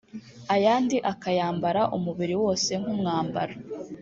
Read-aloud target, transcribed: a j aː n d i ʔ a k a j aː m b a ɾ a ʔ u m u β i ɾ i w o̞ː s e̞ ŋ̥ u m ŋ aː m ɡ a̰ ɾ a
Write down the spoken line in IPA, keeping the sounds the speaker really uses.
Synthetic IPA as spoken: a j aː n d i ʔ a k a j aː m b a ɾ a ʔ u m u β i ɾ i w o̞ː s e̞ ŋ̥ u m ŋ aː m b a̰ ɾ a